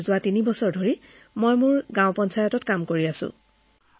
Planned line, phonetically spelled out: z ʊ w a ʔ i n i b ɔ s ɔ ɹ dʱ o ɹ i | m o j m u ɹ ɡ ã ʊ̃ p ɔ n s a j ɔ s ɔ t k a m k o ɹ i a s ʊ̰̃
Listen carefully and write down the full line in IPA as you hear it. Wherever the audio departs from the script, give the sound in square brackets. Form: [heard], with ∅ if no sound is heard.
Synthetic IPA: z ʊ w a [t] i n i b ɔ s ɔ ɹ dʱ o ɹ i | m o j m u ɹ ɡ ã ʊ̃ p ɔ n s a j ɔ [t] ɔ t k a m k o ɹ i a s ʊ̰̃